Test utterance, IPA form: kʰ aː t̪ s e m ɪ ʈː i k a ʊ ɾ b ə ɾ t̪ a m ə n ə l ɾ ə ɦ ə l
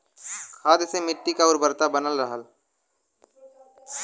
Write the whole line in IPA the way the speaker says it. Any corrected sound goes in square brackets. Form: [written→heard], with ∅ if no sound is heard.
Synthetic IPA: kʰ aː [t̪→d̪] s e m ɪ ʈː i k a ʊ ɾ b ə ɾ t̪ a [m→b] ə n ə l ɾ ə ɦ ə l